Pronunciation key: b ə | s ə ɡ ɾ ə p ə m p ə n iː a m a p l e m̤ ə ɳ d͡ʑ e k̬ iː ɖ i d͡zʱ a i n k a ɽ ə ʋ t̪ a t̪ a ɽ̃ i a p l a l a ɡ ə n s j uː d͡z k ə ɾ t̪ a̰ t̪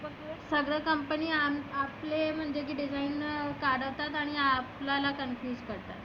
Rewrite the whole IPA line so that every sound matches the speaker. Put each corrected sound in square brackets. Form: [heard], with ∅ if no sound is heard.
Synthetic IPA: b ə | s ə ɡ ɾ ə [k] ə m p ə n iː a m a p l e m̤ ə ɳ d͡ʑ e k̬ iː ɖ i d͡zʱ a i n k a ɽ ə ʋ t̪ a t̪ a ɽ̃ i a p l a l a [k] ə n [f] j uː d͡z k ə ɾ t̪ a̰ t̪